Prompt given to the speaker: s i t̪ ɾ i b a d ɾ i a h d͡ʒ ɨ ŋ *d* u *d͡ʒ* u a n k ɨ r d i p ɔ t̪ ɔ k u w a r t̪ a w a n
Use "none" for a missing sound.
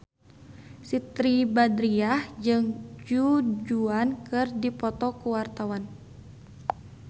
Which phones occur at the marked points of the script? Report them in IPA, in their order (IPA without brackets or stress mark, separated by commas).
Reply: d͡ʒ, d͡ʒ